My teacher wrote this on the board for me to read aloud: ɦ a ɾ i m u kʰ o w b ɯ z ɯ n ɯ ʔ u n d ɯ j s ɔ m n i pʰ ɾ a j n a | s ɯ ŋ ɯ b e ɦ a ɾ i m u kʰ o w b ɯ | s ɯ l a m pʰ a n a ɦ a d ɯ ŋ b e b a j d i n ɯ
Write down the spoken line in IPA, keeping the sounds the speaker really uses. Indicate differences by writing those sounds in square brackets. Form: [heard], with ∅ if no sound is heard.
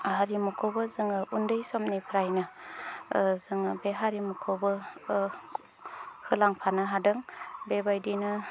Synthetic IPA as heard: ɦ a ɾ i m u kʰ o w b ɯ z ɯ [ŋ] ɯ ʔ u n d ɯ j s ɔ m n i pʰ ɾ a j n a | [z] ɯ ŋ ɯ b e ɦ a ɾ i m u kʰ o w b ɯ | [h] ɯ l a [ŋ] pʰ a n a ɦ a d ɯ ŋ b e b a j d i n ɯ